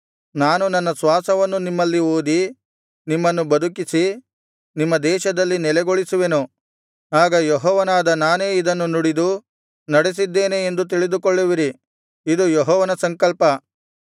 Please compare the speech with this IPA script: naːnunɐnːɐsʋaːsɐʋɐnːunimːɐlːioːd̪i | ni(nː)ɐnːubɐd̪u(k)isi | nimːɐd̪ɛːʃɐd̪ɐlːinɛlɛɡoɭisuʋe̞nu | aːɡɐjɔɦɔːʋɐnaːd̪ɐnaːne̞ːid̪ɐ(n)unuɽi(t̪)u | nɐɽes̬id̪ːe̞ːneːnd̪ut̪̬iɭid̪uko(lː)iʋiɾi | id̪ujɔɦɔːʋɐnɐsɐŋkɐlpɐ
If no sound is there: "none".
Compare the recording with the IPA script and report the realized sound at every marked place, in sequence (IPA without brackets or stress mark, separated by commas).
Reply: mː, k, nː, d̪, ɭː